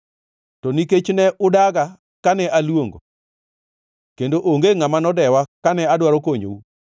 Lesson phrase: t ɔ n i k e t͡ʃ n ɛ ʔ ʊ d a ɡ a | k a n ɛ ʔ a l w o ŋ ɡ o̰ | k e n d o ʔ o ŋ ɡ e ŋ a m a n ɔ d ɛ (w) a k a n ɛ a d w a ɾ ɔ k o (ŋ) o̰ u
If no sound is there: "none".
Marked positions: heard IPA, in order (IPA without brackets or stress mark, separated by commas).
w, ɲ